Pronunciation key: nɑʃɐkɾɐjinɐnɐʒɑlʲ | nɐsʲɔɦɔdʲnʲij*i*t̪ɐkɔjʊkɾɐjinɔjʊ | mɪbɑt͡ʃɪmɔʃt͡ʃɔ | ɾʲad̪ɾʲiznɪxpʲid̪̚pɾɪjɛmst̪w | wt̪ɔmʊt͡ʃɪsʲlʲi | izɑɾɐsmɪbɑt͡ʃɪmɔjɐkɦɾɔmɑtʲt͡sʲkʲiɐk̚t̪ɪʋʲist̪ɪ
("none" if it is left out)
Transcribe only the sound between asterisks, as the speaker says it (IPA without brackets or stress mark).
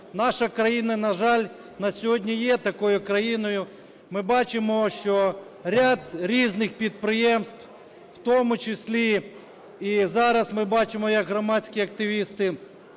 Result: ɛ